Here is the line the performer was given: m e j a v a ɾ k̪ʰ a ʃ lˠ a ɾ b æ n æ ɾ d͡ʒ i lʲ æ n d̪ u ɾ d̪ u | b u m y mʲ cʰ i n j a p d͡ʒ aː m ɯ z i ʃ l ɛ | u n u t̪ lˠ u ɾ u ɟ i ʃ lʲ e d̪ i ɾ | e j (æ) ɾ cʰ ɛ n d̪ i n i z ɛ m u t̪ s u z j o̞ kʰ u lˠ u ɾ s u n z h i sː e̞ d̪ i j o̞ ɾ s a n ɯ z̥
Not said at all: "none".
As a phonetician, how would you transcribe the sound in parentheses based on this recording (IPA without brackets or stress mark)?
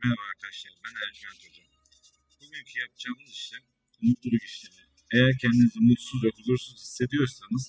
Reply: æ